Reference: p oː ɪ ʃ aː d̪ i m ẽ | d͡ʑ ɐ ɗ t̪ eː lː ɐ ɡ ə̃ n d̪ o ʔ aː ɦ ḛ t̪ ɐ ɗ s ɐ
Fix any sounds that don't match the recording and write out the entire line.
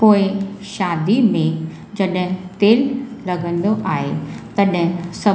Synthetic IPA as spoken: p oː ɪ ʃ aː d̪ i m ẽ | d͡ʑ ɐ ɗ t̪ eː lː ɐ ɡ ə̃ n d̪ o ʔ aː ɦ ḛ t̪ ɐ ɗ s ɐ